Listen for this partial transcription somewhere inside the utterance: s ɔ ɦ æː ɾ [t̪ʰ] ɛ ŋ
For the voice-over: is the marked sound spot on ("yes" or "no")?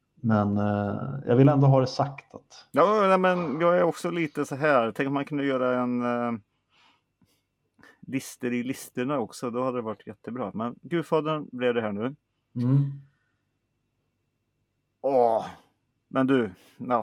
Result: yes